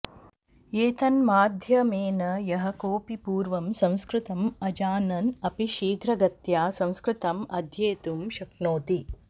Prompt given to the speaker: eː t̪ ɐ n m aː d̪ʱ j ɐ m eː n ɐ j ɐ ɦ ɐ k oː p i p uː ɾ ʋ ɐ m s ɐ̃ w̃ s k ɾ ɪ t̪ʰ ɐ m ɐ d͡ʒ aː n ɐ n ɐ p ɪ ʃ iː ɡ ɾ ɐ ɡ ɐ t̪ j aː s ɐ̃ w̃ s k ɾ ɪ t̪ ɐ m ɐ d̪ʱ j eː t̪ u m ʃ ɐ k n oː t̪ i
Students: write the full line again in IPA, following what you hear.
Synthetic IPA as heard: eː t̪ ɐ n m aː d̪ʱ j ɐ m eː n ɐ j ɐ ɦ ɐ k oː p i p uː ɾ ʋ ɐ m s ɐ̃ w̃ s k ɾ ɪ t̪ ɐ m ɐ d͡ʒ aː n ɐ n ɐ p i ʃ iː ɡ ɾ ɐ ɡ ɐ t̪ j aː s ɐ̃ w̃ s k ɾ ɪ t̪ ɐ m ɐ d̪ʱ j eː t̪ u m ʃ ɐ k n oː t̪ i